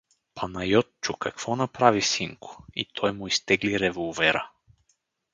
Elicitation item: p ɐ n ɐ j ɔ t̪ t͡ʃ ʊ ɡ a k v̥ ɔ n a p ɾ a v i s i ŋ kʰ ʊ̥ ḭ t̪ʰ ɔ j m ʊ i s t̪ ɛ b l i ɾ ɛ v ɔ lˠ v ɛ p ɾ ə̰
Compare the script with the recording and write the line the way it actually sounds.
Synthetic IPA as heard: p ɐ n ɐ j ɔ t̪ t͡ʃ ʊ k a k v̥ ɔ n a p ɾ a v i s i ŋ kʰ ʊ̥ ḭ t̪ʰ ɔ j m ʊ i s t̪ ɛ ɡ l i ɾ ɛ v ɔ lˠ v ɛ ɾ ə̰